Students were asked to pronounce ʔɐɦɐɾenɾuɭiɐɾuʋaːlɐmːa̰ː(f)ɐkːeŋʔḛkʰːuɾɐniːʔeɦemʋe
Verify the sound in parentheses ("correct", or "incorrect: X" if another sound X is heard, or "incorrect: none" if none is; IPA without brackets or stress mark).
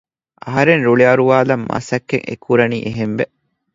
incorrect: s